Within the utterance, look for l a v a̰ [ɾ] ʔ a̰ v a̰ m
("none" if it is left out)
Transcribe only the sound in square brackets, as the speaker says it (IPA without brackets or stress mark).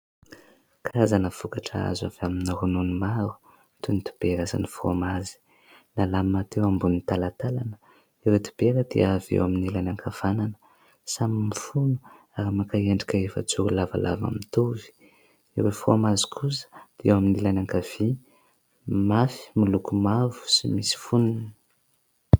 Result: l